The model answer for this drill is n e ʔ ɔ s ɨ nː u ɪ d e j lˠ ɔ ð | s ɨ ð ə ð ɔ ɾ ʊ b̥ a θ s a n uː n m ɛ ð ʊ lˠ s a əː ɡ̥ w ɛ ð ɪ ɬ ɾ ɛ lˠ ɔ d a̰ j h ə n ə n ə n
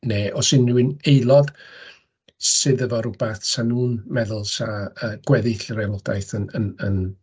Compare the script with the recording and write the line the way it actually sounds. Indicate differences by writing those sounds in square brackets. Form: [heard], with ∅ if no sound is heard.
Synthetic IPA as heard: n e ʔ ɔ s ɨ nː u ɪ [n] e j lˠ ɔ ð | s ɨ ð ə [v] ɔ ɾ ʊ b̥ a θ s a n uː n m ɛ ð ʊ lˠ s a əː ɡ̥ w ɛ ð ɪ ɬ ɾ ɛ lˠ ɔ d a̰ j [θ] ə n ə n ə n